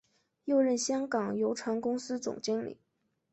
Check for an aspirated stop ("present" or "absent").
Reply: present